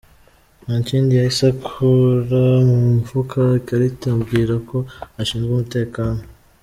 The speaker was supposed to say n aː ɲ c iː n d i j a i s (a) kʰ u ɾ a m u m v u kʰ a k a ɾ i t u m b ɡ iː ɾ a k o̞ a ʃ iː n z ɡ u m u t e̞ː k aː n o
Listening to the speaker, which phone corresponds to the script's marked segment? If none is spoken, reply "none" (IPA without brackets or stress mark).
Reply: a